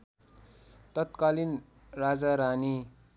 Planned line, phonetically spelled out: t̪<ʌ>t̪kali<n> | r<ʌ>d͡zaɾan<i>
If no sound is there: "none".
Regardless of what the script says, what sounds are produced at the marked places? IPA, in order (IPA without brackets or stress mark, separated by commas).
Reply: ʌ, n, a, i